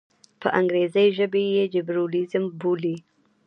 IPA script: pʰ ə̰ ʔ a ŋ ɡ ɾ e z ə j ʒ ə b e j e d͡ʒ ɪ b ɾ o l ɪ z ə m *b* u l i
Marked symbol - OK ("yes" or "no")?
yes